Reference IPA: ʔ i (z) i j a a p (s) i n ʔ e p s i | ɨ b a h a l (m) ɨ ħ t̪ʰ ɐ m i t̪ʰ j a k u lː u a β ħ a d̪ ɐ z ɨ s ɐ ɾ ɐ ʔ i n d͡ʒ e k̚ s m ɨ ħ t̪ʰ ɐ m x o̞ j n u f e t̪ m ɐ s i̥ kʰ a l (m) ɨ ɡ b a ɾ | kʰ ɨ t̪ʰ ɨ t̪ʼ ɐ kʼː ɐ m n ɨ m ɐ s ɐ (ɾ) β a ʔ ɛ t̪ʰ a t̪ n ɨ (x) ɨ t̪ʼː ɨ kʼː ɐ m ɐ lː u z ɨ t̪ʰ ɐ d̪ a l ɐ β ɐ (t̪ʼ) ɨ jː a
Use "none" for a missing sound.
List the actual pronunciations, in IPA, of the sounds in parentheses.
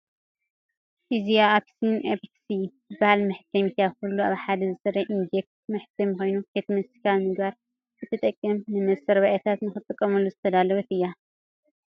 z, s, m, m, ɾ, x, t̪

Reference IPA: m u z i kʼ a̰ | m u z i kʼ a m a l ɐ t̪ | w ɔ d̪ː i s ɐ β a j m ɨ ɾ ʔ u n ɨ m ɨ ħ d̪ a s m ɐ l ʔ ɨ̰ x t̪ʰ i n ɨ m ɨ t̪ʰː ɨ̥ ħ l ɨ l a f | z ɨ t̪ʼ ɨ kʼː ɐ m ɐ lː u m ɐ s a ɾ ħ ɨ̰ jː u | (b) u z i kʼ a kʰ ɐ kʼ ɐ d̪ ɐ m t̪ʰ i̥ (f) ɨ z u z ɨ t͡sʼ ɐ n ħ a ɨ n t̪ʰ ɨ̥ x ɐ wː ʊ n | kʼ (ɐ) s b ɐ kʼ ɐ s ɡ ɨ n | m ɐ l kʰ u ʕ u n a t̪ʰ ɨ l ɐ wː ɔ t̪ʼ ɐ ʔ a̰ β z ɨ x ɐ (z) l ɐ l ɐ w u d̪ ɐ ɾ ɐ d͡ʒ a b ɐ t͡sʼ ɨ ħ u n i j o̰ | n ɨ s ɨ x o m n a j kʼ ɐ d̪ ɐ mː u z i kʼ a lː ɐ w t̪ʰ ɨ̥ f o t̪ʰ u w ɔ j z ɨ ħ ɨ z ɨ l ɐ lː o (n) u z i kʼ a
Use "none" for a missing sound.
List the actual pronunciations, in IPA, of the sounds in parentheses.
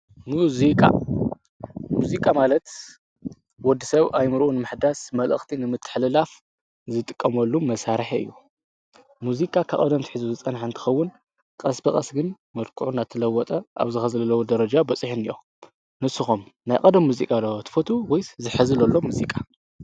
m, ħ, ɐ, z, m

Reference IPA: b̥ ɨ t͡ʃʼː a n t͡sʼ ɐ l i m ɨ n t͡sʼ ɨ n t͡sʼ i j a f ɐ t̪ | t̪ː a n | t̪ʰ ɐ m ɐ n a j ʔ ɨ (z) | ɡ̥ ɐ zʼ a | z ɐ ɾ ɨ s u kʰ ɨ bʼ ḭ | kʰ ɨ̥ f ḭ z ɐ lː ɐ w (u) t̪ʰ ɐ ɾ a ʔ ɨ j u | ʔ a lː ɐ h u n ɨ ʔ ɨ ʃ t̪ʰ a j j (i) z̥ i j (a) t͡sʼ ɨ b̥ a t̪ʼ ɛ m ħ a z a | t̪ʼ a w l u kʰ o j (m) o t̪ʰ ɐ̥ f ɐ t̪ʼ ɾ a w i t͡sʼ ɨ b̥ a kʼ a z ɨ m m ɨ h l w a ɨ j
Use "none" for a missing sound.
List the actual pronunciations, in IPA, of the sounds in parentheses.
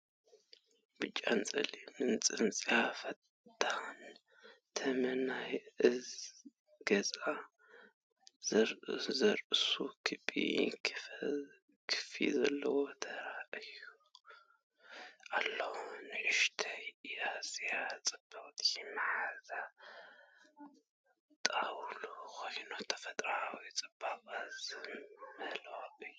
z, o, a, a, n

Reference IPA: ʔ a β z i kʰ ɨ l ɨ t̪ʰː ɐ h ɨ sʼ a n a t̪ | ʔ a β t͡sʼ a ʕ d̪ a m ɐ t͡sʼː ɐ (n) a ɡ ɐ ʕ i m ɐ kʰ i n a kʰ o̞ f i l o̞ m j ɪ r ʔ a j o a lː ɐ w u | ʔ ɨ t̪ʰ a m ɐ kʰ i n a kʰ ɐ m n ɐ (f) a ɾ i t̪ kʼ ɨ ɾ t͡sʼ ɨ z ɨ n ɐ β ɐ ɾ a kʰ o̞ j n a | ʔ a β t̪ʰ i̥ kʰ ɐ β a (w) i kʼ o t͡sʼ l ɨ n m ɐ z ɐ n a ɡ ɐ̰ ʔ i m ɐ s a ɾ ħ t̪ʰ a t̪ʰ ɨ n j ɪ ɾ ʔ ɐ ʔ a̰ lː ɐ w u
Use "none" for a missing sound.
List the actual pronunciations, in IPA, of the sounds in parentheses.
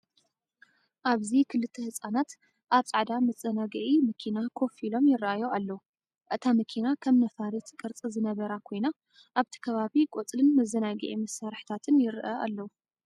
n, f, β

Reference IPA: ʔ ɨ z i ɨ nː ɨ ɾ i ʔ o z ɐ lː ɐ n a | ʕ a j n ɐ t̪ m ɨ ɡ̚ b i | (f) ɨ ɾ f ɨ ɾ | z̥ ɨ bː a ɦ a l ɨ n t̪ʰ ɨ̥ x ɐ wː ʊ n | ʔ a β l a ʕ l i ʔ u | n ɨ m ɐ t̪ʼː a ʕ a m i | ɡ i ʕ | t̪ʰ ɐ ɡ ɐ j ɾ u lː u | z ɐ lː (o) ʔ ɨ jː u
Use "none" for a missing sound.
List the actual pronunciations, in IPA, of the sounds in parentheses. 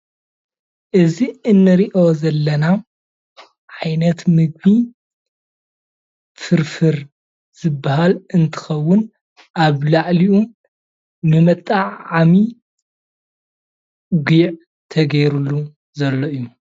f, o

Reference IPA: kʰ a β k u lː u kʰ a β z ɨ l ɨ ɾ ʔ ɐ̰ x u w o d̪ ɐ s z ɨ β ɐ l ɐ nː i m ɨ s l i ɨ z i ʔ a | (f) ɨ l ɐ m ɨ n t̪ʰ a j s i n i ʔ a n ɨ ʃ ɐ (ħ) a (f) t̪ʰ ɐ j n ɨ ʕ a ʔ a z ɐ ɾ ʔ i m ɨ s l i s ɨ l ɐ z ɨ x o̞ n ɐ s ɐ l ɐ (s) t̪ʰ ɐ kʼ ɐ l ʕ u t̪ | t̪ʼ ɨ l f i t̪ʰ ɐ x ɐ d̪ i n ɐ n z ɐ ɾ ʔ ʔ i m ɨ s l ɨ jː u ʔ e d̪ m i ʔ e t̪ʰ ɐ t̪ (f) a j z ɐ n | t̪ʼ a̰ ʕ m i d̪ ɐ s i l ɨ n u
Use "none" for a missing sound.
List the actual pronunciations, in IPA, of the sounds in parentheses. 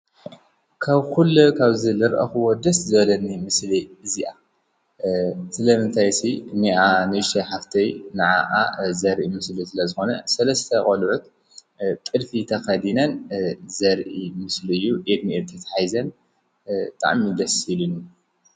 s, ħ, f, s, ħ

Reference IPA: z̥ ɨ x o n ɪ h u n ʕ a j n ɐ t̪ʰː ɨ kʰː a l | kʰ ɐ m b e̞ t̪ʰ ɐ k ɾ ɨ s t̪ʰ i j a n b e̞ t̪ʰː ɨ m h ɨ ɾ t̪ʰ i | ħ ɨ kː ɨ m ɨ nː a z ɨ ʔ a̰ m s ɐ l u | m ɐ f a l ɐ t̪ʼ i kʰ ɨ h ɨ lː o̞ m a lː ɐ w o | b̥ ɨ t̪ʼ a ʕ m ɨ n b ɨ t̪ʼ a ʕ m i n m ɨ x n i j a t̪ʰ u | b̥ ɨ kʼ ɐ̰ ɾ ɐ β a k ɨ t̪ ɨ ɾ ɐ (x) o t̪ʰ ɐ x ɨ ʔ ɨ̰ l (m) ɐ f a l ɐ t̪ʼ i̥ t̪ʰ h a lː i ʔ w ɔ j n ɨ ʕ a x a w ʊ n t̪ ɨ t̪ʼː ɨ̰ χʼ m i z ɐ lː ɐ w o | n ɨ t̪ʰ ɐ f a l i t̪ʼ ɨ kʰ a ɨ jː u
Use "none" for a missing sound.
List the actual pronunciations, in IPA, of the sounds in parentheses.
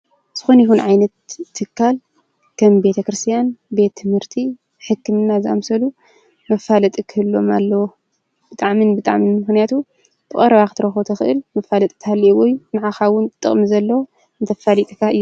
x, m

